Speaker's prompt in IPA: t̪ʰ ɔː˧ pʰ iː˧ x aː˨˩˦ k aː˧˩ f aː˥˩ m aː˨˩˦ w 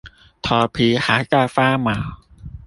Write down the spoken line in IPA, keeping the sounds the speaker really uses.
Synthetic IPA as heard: t̪ʰ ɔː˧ pʰ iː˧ h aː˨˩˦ k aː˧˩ f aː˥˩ m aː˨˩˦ w